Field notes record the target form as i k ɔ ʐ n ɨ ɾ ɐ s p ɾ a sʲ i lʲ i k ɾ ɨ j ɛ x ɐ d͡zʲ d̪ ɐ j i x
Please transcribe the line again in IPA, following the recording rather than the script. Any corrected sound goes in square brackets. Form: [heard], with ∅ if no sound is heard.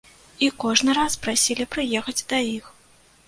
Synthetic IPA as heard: i k ɔ ʐ n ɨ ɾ [a] s p ɾ a sʲ i lʲ i [p] ɾ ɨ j ɛ x ɐ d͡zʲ d̪ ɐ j i x

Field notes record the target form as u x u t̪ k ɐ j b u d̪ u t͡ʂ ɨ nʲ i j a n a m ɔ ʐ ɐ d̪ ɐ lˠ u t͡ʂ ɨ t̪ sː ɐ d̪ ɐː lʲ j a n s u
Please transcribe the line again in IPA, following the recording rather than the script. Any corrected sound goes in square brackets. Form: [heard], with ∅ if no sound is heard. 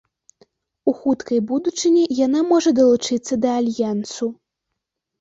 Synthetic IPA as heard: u x u t̪ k ɐ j b u d̪ u t͡ʂ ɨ nʲ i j a n a m ɔ ʐ ɐ d̪ ɐ lˠ u t͡ʂ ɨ t̪ sː ɐ d̪ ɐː lʲ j a n s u

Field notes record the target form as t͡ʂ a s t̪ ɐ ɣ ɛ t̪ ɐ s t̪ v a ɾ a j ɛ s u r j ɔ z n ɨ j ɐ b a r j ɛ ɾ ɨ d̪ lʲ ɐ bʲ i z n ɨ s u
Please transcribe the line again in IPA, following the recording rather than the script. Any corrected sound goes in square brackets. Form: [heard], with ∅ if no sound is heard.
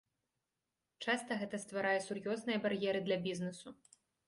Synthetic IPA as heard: t͡ʂ a s t̪ ɐ ɣ ɛ t̪ ɐ s t̪ v a ɾ a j ɛ s u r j ɔ z n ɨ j ɐ b a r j ɛ ɾ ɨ d̪ lʲ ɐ bʲ i z n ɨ s u

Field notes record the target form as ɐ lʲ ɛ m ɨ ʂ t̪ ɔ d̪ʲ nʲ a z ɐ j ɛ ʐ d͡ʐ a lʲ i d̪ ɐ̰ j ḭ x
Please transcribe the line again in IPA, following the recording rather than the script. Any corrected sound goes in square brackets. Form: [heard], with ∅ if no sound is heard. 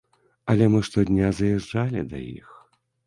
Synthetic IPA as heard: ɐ lʲ ɛ m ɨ ʂ t̪ ɔ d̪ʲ nʲ a z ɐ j ɛ ʐ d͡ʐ a lʲ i d̪ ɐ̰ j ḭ x

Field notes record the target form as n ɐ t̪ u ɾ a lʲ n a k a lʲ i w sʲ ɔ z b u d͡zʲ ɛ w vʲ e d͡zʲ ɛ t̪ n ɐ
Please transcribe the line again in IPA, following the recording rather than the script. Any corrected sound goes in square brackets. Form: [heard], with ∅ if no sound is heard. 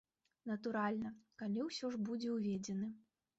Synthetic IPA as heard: n ɐ t̪ u ɾ a lʲ n [ɐ] k a lʲ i w sʲ ɔ [ʐ] b u d͡zʲ ɛ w vʲ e d͡zʲ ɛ [∅] n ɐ

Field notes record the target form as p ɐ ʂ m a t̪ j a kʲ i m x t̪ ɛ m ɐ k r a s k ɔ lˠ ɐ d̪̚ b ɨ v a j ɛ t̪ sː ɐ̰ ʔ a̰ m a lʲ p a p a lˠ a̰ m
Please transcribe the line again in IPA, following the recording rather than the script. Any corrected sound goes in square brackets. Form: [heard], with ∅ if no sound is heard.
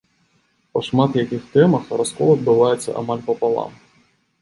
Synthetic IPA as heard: p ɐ ʂ m a t̪ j a kʲ i [∅] x t̪ ɛ m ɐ [x] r a s k ɔ lˠ ɐ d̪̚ b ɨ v a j ɛ t̪ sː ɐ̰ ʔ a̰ m a lʲ p [ɐ] p a lˠ a̰ m

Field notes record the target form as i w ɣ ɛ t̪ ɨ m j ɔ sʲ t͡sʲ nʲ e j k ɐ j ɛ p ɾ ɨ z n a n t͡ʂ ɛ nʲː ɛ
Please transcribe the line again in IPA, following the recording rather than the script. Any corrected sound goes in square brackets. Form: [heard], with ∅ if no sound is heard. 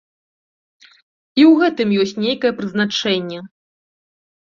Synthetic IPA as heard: i w ɣ ɛ t̪ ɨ m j ɔ sʲ t͡sʲ nʲ e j k ɐ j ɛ p ɾ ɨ z n a [∅] t͡ʂ ɛ nʲː ɛ

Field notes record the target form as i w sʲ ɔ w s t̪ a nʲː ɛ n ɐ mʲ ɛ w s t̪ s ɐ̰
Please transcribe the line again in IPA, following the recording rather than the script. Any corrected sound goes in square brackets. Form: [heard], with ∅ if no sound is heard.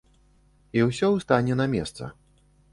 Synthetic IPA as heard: i w sʲ ɔ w s t̪ a [nʲ] ɛ n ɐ mʲ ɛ [∅] s t̪ s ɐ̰

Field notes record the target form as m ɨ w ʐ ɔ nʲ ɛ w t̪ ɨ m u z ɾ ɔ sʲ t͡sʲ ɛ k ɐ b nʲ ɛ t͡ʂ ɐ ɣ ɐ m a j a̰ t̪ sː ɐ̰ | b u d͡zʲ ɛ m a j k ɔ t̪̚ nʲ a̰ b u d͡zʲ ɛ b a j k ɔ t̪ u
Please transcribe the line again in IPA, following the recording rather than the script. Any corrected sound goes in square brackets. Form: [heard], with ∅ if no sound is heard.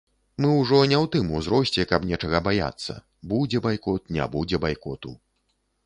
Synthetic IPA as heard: m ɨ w ʐ ɔ nʲ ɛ w t̪ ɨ m u z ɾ ɔ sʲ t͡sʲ ɛ k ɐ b nʲ ɛ t͡ʂ ɐ ɣ ɐ [b] a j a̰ t̪ sː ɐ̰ | b u d͡zʲ ɛ [b] a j k ɔ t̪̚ nʲ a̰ b u d͡zʲ ɛ b a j k ɔ t̪ u

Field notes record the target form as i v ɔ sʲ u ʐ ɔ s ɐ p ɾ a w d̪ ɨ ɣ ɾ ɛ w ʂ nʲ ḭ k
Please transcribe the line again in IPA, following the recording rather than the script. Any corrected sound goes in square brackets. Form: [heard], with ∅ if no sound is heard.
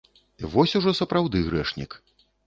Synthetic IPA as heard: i v ɔ sʲ u ʐ ɔ s ɐ p ɾ a w d̪ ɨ ɣ ɾ ɛ [∅] ʂ nʲ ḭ k

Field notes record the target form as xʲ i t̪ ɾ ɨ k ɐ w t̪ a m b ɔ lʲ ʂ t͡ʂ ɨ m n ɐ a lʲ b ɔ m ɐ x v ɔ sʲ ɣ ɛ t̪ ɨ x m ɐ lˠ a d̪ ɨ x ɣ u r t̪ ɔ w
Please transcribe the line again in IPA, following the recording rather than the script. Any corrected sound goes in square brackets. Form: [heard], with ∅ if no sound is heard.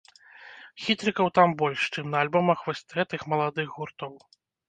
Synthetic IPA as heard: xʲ i t̪ ɾ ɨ k ɐ w t̪ a m b ɔ lʲ ʂ t͡ʂ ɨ m n ɐ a lʲ b ɔ m ɐ x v ɔ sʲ ɣ ɛ t̪ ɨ x m ɐ lˠ a d̪ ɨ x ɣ u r t̪ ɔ w

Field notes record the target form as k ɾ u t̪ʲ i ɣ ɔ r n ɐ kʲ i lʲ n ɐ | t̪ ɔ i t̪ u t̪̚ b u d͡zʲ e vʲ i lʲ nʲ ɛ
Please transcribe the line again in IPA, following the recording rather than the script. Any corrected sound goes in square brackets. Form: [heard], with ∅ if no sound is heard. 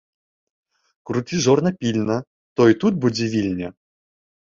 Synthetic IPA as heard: k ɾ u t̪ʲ i [ʐ] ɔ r n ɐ [pʲ] i lʲ n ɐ | t̪ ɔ i t̪ u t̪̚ b u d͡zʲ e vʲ i lʲ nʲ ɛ

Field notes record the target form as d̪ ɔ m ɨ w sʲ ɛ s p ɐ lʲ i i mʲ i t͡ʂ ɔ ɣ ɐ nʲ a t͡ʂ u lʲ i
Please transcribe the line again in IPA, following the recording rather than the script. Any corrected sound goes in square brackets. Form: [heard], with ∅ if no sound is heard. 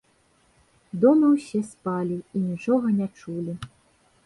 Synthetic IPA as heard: d̪ ɔ m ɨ w sʲ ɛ s p [a] lʲ i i [nʲ] i t͡ʂ ɔ ɣ ɐ nʲ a t͡ʂ u lʲ i

